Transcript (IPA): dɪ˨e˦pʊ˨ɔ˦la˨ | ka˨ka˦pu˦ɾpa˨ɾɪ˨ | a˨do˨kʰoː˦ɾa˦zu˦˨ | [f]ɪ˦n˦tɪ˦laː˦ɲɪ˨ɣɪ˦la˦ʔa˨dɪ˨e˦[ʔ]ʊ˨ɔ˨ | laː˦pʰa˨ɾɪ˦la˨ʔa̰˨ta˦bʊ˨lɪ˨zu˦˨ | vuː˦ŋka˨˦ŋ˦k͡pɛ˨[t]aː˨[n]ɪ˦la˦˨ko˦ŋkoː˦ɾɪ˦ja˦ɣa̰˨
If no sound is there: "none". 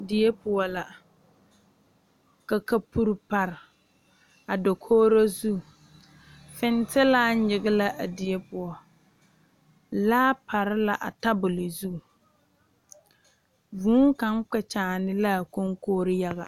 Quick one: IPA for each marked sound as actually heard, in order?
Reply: f, p, t͡ʃ, n

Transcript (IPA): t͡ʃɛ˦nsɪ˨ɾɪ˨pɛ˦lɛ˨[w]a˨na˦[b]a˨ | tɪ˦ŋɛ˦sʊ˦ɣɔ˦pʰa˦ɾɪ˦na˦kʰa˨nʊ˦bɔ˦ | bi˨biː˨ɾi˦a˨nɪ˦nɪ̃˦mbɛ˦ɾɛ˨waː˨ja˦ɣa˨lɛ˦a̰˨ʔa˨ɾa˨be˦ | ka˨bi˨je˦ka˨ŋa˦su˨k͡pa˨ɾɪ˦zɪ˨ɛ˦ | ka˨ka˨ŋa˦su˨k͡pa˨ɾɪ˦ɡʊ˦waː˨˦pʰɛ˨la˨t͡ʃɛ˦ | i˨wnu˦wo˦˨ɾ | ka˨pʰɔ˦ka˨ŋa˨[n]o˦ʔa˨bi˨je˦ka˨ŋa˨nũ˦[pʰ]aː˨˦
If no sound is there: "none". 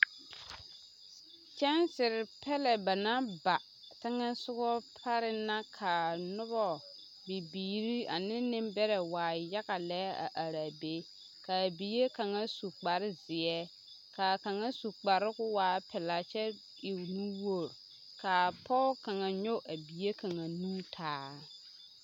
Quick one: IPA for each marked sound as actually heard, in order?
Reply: b, b, ɲ, tʰ

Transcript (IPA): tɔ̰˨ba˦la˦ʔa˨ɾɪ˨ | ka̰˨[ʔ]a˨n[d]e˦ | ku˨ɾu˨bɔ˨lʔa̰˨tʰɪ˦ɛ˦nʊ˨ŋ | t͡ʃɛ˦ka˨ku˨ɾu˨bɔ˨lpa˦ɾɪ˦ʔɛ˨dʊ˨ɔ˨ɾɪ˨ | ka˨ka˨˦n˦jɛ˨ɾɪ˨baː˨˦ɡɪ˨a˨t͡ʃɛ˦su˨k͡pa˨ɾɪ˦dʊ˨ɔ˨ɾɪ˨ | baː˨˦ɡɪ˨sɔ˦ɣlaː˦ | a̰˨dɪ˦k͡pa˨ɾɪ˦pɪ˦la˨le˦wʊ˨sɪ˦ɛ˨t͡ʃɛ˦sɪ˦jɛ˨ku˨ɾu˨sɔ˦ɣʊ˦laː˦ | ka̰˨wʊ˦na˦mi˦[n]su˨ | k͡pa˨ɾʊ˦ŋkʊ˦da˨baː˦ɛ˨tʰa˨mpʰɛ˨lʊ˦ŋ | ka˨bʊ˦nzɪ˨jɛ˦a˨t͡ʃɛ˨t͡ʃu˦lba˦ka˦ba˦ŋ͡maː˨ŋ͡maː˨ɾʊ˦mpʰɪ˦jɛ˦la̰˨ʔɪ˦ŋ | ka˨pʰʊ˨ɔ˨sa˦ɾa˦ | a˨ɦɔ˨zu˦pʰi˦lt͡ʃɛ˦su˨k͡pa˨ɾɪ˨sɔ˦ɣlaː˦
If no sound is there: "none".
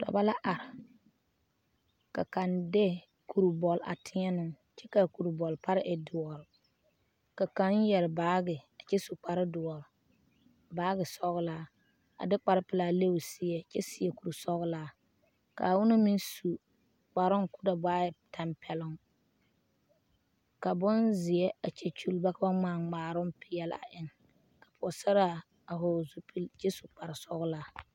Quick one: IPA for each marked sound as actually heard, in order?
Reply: k, d, n

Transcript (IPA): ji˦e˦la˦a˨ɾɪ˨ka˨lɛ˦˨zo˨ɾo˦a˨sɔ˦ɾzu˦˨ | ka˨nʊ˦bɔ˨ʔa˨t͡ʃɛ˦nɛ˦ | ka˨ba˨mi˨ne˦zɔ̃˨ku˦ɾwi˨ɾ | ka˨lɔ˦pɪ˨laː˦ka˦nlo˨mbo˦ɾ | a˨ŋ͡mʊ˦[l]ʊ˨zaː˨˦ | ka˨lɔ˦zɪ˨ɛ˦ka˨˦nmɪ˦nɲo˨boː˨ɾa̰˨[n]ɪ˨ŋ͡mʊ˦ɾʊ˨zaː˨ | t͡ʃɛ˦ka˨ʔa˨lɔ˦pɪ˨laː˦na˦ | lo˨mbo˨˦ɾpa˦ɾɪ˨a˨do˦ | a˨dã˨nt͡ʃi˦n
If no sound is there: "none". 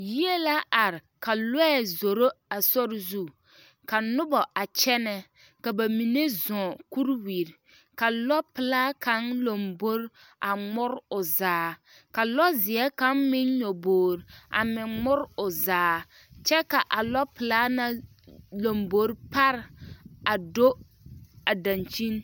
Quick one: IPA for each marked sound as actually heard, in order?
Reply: ɾ, m

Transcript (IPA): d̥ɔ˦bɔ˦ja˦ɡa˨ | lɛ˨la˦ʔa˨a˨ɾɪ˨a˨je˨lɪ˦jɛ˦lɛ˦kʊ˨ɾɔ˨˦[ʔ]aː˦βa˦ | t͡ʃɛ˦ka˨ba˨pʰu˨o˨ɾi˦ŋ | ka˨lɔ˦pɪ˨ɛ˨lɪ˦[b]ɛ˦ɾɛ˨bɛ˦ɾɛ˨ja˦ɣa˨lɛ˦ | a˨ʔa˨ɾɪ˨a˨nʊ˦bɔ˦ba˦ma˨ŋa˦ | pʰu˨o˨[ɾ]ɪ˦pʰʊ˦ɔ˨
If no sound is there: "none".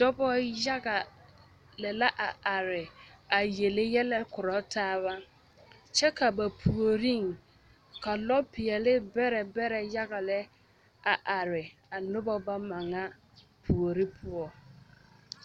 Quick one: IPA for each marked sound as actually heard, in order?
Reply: t, b, ɾ

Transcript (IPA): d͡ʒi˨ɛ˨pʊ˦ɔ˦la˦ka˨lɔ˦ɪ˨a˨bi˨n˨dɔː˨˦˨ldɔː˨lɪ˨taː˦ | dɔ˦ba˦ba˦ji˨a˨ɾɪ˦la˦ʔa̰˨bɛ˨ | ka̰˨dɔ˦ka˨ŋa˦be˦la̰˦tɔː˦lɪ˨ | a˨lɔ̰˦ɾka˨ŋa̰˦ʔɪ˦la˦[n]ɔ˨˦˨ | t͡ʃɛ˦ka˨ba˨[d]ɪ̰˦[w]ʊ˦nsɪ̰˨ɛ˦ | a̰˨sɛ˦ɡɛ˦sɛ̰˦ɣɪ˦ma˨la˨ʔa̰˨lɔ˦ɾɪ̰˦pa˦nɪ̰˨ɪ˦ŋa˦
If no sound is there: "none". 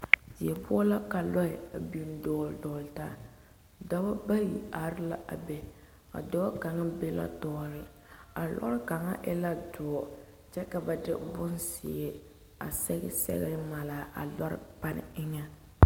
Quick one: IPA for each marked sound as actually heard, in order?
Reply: d, d, b

